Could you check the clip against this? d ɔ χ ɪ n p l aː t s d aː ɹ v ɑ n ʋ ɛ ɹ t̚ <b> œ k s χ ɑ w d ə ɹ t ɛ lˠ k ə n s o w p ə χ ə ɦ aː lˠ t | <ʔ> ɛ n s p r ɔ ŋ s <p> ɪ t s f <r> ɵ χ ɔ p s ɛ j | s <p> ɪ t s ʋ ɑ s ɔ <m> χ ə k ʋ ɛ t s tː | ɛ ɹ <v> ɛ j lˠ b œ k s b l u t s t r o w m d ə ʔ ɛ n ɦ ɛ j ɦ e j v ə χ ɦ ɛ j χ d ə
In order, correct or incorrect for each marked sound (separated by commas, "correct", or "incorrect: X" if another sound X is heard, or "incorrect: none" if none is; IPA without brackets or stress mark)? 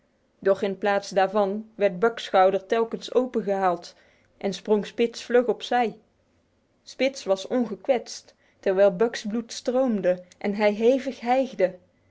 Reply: correct, correct, correct, incorrect: l, correct, incorrect: n, incorrect: ʋ